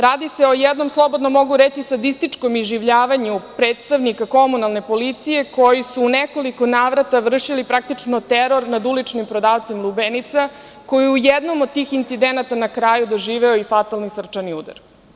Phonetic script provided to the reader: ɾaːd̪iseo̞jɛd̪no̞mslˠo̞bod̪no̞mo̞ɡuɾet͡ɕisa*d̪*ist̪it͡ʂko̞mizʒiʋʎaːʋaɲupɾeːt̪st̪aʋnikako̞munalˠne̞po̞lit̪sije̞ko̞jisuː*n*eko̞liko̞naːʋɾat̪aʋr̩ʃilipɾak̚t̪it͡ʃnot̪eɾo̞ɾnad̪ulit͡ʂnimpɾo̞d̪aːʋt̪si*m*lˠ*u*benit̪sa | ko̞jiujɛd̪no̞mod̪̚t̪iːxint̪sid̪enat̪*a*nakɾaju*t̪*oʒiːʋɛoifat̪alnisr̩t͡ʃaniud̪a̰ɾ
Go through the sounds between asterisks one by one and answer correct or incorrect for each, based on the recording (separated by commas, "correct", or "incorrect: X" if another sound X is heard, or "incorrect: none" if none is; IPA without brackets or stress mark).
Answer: correct, correct, correct, correct, correct, incorrect: d̪